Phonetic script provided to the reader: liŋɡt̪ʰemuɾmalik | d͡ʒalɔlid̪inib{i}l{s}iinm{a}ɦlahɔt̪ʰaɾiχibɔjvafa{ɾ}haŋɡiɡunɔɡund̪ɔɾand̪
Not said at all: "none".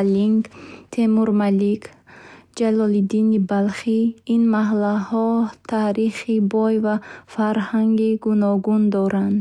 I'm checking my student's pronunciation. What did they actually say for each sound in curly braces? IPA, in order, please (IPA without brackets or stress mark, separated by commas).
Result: a, χ, a, ɾ